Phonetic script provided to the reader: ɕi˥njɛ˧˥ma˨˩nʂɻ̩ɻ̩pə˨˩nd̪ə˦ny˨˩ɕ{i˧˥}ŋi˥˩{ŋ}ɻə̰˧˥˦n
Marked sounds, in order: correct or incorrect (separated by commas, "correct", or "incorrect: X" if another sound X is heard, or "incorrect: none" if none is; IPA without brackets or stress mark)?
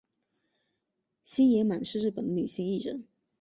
incorrect: i˥˧, incorrect: none